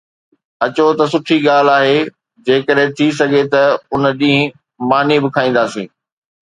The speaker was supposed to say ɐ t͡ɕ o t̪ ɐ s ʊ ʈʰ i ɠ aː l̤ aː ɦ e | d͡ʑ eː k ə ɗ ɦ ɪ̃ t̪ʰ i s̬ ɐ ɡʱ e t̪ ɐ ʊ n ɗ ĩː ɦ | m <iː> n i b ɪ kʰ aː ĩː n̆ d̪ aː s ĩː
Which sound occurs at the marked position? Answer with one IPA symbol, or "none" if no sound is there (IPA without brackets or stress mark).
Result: aː